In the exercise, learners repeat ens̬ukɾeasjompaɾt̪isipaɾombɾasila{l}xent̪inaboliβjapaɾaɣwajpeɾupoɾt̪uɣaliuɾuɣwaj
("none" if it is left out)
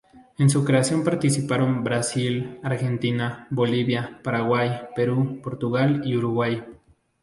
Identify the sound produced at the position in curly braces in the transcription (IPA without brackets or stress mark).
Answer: ɾ